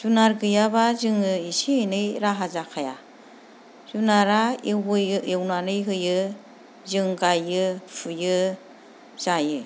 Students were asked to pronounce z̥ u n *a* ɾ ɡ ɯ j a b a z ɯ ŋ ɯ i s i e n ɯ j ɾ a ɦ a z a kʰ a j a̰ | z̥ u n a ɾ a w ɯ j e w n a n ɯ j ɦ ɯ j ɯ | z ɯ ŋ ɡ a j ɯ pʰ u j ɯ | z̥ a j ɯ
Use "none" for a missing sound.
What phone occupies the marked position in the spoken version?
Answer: a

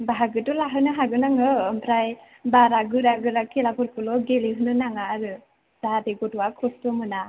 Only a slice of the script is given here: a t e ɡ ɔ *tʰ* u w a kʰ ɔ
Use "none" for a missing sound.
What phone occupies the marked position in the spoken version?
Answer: t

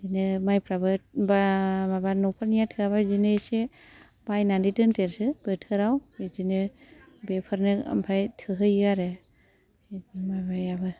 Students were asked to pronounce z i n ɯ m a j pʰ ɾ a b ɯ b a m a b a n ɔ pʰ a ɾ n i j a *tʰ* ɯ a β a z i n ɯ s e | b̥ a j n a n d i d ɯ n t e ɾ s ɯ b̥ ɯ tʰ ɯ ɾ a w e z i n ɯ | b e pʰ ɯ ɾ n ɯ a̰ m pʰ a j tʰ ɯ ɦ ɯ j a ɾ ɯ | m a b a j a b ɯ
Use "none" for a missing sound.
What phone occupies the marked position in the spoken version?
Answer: tʰ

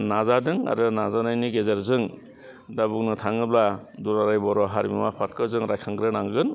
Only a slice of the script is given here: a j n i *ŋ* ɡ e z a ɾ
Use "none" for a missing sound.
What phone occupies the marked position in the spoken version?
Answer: none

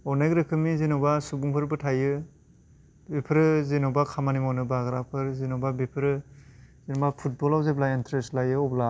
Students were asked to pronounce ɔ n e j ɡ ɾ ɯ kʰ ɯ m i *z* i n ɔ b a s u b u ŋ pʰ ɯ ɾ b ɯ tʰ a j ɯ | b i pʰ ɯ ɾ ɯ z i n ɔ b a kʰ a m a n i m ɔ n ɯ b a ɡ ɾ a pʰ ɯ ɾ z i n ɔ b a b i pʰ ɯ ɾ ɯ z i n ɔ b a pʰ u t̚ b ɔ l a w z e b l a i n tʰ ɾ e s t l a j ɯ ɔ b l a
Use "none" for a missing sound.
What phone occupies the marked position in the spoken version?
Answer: z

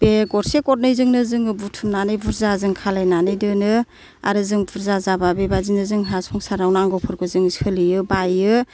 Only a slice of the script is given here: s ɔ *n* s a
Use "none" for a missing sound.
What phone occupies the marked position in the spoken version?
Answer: ŋ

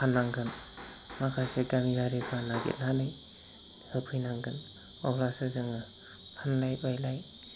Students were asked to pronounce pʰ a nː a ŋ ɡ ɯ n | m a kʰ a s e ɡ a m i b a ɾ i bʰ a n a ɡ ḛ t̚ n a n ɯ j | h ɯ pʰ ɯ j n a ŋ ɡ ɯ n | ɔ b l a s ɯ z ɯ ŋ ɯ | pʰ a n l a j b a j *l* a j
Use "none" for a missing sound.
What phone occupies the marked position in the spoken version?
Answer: l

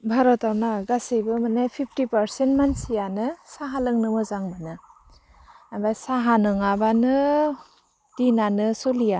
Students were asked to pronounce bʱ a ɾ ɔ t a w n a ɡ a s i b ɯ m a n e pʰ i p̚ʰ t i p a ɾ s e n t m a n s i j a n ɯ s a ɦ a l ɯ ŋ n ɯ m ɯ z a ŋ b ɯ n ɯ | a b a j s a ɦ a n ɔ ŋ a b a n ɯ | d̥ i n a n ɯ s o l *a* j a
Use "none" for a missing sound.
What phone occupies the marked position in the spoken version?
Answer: i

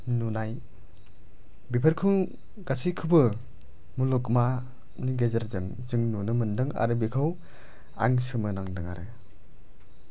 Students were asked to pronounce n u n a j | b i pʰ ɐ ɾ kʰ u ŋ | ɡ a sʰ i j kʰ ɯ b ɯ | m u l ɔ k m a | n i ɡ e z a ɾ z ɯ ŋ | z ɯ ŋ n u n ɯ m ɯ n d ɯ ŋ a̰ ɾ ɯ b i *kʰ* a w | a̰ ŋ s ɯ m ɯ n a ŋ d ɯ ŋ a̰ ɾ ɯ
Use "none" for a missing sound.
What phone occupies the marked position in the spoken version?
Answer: kʰ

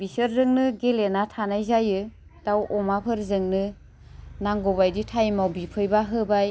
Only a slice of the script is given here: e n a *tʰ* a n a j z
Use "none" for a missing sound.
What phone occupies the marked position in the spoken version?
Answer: tʰ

